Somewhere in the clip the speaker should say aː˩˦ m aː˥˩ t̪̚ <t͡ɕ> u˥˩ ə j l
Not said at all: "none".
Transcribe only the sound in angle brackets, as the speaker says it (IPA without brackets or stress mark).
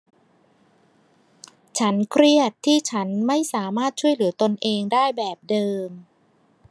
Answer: t͡ɕʰ